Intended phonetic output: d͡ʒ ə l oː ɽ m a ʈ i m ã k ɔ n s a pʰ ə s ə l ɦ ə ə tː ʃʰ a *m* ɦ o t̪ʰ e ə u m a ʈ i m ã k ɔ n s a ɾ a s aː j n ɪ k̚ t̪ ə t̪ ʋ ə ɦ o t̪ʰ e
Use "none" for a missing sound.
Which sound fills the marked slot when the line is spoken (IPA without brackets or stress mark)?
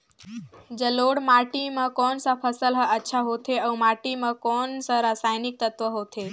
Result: none